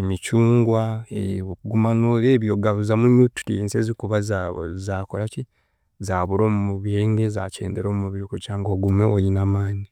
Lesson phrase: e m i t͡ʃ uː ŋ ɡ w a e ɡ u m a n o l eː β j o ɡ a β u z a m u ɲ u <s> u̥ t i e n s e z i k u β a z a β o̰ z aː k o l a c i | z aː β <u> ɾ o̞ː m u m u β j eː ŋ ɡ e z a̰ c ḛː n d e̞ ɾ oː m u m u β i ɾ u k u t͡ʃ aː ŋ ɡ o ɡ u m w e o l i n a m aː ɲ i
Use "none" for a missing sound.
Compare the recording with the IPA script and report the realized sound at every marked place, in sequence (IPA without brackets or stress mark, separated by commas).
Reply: t, u